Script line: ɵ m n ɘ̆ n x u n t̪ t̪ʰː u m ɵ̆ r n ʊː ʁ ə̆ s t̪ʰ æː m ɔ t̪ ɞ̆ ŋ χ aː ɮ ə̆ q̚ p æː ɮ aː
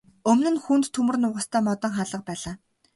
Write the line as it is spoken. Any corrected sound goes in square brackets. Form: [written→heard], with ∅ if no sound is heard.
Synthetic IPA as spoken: ɵ m n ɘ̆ n x u n t̪ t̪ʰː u m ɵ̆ r n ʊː ʁ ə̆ s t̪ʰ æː m ɔ t̪ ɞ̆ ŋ χ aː ɮ ə̆ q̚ p æː ɮ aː